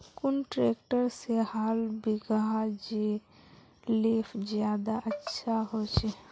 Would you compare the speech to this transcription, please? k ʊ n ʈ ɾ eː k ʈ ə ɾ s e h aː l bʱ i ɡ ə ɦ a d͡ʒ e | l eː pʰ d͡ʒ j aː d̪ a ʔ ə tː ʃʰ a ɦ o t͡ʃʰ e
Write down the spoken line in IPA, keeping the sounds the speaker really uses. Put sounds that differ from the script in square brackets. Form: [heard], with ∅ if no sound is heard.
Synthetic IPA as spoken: k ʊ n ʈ ɾ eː k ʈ ə ɾ s e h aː l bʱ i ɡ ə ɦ a d͡ʒ e | l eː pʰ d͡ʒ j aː d̪ a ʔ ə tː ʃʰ a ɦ o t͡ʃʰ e